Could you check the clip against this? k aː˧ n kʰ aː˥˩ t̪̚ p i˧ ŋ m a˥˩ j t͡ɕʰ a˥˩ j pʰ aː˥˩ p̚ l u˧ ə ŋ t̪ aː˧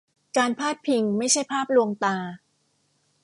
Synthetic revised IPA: k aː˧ n pʰ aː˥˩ t̪̚ pʰ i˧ ŋ m a˥˩ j t͡ɕʰ a˥˩ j pʰ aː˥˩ p̚ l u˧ ə ŋ t̪ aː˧